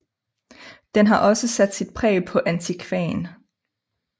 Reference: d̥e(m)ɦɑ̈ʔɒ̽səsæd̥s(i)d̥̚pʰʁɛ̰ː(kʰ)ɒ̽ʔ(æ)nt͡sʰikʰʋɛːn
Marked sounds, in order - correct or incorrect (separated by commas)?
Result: incorrect, correct, incorrect, correct